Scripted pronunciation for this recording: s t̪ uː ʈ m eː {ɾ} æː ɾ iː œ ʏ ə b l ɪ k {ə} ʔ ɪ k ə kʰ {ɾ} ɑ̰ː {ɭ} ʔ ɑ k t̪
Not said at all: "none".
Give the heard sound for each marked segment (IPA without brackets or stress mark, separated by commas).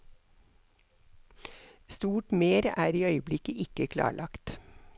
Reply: ɾ, ə, l, ɭ